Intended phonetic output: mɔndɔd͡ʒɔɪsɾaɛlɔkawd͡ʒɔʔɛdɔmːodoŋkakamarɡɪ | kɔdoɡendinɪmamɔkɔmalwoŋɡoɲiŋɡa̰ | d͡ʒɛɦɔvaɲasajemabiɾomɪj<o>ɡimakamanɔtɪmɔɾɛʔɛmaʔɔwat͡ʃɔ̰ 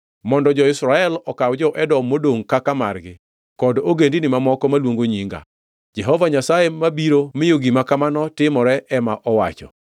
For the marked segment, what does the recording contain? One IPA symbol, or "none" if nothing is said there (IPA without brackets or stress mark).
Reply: o